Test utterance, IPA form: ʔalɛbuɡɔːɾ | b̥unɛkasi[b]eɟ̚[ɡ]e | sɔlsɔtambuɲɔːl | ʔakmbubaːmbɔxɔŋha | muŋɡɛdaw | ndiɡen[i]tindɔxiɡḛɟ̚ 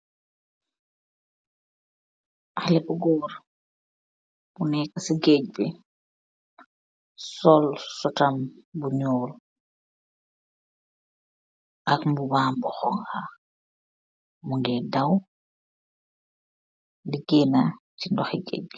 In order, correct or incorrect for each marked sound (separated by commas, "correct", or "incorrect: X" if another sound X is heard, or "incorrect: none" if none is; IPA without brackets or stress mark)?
incorrect: ɡ, incorrect: b, incorrect: a